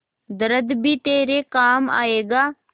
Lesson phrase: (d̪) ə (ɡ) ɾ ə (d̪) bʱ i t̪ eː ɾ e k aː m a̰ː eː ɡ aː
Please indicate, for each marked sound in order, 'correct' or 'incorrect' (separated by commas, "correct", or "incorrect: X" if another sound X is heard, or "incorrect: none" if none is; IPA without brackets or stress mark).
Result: correct, incorrect: none, correct